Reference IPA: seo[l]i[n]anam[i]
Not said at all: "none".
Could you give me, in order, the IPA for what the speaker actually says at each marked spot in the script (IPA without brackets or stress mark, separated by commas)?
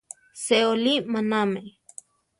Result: l, m, e